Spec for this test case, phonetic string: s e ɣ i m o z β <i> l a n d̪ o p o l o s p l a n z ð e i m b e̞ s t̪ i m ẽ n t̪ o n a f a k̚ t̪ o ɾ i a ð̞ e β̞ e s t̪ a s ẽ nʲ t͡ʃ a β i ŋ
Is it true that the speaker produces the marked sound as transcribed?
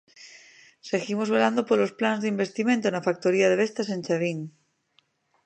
no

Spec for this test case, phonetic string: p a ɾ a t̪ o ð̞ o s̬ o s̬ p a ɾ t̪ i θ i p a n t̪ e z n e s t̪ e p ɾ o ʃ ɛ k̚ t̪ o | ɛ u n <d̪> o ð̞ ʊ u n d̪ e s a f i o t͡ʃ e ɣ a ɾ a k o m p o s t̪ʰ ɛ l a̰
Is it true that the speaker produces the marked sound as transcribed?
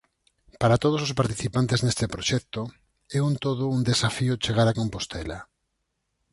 no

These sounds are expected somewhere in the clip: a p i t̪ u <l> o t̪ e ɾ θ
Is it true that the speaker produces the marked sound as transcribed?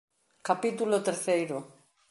yes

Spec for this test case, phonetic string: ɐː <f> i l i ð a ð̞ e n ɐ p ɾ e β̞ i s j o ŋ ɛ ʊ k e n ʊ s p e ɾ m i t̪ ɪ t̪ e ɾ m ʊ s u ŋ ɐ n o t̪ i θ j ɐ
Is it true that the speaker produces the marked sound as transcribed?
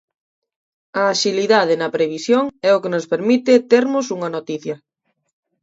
no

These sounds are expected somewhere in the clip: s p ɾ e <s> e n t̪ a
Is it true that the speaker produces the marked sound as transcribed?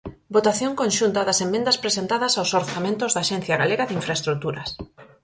yes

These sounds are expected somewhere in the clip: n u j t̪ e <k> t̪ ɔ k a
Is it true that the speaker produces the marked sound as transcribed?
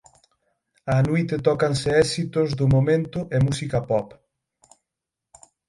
no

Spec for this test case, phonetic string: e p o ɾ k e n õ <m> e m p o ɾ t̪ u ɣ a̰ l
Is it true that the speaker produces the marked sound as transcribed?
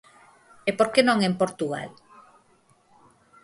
no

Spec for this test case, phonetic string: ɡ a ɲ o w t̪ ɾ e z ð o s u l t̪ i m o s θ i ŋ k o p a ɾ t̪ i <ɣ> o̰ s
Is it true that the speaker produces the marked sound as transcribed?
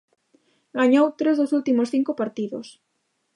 no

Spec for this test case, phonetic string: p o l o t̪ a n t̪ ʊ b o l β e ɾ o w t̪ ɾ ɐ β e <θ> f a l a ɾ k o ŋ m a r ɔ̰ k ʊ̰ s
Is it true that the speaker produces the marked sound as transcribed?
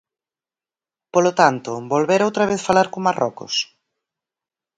yes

